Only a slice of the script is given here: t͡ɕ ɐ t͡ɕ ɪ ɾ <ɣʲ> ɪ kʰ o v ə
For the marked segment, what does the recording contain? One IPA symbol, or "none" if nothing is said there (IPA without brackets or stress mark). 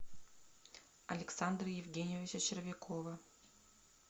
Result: vʲ